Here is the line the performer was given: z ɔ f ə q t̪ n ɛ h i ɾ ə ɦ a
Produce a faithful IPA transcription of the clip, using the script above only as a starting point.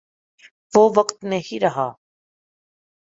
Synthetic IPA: v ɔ v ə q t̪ n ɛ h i ɾ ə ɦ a